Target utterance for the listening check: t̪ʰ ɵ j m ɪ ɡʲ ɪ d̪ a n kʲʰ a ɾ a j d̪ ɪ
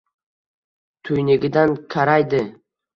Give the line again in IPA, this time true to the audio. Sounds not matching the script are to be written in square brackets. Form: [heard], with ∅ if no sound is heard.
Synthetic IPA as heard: t̪ʰ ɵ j [n] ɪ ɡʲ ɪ d̪ a n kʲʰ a ɾ a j d̪ ɪ